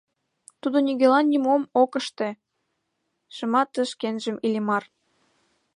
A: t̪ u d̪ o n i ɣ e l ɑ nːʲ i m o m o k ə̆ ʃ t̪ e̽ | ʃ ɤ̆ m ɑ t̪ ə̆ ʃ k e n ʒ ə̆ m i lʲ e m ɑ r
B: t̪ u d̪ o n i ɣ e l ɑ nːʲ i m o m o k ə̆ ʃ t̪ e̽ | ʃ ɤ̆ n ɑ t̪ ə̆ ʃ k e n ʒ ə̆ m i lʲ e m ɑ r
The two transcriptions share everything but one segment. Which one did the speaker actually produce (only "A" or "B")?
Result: A